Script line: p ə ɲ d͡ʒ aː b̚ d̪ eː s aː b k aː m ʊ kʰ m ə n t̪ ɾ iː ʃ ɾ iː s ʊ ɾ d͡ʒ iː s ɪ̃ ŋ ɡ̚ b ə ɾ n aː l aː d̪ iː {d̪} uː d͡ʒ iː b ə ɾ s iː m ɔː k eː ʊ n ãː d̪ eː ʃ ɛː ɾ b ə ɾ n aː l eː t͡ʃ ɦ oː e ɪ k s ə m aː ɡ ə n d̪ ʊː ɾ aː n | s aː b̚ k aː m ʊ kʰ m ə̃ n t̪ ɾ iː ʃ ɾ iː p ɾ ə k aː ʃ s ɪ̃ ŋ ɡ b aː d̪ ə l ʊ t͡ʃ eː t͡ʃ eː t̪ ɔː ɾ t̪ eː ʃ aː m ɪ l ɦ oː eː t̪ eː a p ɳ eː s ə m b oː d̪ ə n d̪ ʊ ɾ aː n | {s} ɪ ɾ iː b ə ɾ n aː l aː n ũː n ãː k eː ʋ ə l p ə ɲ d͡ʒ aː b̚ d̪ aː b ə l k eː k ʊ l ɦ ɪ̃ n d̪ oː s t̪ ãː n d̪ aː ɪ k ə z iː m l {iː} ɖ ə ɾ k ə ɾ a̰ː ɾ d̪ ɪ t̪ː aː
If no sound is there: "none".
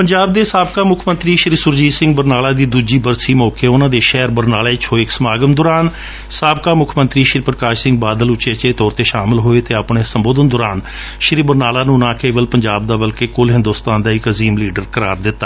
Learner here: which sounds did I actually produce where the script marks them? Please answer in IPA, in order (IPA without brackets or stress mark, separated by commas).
d̪, ʃ, iː